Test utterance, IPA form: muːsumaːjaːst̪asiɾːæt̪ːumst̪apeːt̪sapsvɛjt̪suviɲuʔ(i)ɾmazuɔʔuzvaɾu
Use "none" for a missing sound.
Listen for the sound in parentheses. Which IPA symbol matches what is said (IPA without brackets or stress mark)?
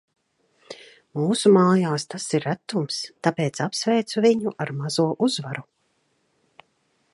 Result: a